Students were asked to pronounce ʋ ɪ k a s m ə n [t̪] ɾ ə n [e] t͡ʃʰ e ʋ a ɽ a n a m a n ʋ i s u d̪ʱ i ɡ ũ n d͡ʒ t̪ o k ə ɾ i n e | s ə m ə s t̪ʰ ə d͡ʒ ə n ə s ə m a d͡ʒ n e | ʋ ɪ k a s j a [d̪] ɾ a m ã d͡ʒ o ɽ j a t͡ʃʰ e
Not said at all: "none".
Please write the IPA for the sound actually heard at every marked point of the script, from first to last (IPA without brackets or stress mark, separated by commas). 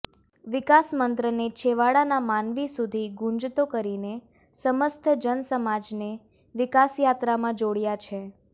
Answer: t̪, e, t̪